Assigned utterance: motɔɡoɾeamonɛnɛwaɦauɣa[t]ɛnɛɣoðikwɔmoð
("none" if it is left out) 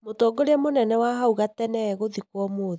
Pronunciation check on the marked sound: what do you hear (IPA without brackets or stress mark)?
t